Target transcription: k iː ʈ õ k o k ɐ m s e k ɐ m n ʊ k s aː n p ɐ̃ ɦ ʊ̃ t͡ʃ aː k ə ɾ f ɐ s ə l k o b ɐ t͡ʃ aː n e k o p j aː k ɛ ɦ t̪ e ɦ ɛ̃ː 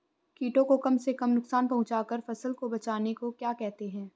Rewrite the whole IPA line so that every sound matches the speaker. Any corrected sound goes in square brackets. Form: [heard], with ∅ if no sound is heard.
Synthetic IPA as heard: k iː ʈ õ k o k ɐ m s e k ɐ m n ʊ k s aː n p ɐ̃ ɦ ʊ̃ t͡ʃ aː k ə ɾ f ɐ s ə l k o b ɐ t͡ʃ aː n e k o [k] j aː k ɛ ɦ t̪ e ɦ ɛ̃ː